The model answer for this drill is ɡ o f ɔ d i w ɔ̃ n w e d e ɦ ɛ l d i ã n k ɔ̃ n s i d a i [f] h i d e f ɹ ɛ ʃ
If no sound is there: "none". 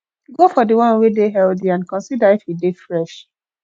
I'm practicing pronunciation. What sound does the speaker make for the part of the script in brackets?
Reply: f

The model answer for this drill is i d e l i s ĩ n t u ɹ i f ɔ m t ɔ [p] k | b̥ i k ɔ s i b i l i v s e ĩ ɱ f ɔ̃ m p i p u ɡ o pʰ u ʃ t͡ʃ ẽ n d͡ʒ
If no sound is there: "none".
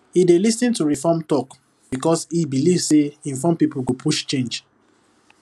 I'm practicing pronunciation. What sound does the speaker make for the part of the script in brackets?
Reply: none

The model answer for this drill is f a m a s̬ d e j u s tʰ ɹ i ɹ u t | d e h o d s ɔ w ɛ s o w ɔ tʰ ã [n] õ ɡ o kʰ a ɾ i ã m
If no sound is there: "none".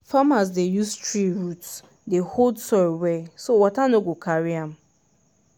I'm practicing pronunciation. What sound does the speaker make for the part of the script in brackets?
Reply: n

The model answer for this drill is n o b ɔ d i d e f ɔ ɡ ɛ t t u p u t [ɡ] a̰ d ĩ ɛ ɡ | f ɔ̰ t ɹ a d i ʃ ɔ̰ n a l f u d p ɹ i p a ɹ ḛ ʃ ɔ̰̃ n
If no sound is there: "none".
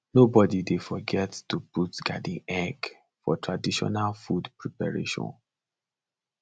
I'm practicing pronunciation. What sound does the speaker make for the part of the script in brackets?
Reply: ɡ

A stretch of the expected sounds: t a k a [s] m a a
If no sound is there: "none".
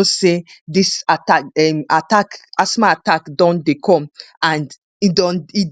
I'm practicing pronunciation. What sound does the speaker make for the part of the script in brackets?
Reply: s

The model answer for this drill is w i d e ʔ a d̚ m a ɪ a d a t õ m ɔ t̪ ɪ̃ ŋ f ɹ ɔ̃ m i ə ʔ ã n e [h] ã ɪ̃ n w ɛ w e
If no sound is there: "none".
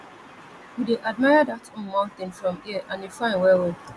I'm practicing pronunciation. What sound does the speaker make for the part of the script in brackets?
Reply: f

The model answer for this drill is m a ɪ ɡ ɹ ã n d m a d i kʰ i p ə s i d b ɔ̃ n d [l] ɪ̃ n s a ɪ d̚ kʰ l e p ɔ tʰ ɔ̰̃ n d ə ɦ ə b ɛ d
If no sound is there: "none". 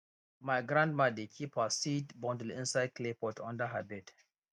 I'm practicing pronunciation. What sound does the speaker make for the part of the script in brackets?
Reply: l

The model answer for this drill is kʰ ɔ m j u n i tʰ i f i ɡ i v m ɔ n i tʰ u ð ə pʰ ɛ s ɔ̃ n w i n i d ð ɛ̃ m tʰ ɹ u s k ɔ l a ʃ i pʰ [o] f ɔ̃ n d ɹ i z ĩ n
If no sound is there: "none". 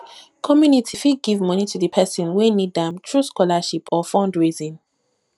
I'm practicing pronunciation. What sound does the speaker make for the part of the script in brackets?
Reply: ɔ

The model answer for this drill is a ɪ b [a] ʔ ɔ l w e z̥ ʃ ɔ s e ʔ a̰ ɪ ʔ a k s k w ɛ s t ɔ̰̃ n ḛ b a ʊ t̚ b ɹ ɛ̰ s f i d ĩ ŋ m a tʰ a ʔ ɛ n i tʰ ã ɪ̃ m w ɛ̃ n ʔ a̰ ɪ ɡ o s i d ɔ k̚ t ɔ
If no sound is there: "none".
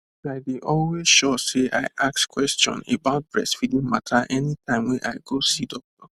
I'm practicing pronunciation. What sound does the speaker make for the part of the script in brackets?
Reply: i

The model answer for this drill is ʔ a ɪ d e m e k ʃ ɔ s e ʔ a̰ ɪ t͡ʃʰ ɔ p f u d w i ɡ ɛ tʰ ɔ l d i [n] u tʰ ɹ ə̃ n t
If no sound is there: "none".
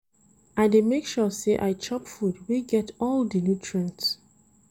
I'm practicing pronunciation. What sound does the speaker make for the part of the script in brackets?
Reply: n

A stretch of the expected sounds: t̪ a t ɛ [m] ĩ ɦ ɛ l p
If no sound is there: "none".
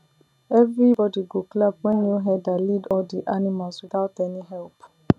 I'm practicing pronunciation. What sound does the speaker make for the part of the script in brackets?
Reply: n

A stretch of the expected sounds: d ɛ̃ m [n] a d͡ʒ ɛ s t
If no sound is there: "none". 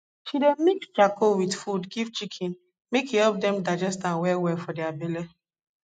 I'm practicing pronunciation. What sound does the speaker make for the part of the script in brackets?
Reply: d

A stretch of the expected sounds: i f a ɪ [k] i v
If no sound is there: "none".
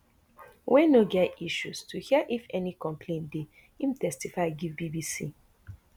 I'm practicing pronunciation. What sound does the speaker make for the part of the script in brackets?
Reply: ɡ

